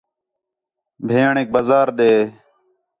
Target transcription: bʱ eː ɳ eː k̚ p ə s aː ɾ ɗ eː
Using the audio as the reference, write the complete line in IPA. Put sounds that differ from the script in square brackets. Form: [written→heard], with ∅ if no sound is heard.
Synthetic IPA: bʱ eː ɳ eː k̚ [p→b] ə [s→z] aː ɾ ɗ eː